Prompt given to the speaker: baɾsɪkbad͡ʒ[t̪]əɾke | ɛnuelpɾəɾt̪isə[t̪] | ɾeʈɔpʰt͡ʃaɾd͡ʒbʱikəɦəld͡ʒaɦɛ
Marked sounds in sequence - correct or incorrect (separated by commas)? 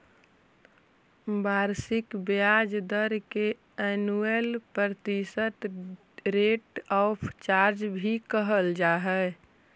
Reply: incorrect, correct